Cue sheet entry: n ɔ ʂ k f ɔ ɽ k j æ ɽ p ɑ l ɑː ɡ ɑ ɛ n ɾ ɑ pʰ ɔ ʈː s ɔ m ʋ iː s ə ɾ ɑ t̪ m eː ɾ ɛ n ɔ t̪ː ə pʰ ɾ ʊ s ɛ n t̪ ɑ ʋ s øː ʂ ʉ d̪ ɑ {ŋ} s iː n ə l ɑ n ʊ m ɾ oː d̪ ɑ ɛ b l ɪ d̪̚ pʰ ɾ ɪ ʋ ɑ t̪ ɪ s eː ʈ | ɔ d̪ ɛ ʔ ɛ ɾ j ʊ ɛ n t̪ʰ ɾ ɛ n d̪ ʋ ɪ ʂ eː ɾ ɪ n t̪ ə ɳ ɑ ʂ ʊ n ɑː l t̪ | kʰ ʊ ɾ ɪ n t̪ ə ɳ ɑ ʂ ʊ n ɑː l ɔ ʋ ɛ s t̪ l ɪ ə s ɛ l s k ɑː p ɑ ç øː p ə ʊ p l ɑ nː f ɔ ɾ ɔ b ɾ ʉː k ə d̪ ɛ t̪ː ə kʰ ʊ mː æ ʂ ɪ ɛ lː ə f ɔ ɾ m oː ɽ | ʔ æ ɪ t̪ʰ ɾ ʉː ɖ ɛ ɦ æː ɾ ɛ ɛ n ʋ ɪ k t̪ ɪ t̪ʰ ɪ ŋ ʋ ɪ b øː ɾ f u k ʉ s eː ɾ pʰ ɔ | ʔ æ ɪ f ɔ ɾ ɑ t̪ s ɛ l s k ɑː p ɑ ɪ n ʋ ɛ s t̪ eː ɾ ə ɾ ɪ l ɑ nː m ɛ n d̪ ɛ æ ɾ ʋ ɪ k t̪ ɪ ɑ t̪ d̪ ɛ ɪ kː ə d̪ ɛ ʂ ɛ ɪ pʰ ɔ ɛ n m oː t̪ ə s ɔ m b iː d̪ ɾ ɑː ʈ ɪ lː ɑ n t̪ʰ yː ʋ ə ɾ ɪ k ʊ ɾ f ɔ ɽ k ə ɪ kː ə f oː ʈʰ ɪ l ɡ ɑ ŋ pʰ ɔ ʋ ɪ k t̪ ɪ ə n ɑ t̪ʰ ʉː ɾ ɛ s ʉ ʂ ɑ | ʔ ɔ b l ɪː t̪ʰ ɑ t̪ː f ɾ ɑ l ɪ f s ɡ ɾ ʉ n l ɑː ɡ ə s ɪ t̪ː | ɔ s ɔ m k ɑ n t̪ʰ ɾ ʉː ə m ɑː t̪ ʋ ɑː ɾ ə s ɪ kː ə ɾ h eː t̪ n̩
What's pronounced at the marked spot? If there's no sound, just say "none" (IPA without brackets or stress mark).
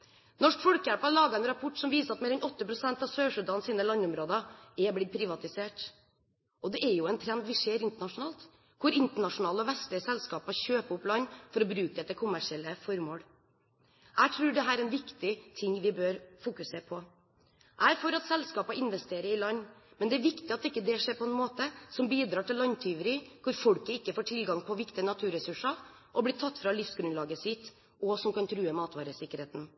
n